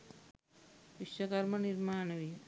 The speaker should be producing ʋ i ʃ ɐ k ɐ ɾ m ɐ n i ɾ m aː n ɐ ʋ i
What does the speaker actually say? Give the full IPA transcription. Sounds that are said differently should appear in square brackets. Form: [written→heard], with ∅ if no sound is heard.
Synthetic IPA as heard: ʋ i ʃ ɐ k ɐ ɾ m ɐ n i ɾ m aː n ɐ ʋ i